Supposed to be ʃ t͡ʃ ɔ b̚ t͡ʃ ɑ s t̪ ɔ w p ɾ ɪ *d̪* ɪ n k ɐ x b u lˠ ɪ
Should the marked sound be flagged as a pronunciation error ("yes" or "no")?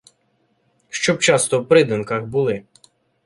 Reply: no